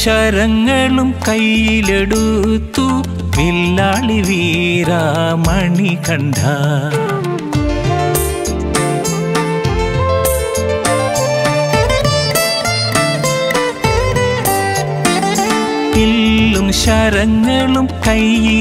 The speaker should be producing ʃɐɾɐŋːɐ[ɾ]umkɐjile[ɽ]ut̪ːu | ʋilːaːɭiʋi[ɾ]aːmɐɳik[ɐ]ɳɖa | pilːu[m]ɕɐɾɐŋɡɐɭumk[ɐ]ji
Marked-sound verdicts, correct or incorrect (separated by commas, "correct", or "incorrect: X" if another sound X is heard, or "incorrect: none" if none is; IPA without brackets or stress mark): incorrect: ɭ, correct, correct, correct, correct, correct